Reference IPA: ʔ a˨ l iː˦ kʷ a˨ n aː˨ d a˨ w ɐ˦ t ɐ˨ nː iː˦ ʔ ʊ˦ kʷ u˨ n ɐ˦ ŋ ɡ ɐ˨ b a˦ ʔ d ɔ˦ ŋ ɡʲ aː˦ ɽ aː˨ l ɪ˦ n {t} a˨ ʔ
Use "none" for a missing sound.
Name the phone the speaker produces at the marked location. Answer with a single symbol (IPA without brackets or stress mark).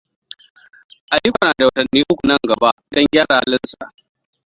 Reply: s